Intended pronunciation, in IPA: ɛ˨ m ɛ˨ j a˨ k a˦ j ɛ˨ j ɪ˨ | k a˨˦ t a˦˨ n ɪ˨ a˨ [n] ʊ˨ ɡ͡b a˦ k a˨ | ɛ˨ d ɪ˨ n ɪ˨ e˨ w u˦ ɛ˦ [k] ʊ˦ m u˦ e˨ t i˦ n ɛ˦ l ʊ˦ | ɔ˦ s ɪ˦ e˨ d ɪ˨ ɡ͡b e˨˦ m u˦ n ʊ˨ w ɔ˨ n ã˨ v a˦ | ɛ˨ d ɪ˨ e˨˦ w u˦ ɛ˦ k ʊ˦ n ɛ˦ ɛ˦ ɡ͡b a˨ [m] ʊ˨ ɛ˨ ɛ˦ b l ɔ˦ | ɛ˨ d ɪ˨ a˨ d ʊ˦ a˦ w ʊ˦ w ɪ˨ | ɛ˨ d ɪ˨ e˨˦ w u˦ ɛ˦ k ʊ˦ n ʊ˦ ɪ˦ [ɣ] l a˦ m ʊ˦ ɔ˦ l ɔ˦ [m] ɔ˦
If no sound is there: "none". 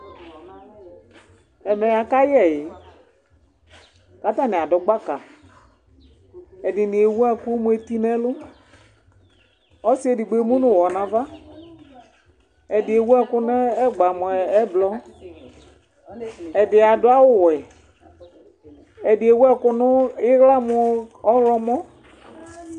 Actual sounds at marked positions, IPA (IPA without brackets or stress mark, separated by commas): d, k, m, ɣ, m